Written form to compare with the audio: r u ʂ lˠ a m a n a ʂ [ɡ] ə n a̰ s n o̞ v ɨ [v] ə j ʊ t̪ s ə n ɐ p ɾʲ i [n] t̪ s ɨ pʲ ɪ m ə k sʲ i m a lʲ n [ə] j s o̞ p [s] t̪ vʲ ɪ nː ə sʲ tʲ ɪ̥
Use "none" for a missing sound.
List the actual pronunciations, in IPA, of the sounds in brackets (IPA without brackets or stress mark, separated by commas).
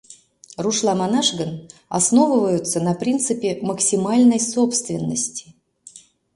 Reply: ɡ, v, n, ə, s